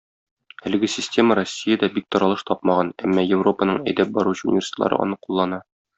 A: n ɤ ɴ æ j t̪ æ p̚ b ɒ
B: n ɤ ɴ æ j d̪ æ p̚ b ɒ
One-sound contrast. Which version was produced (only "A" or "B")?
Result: B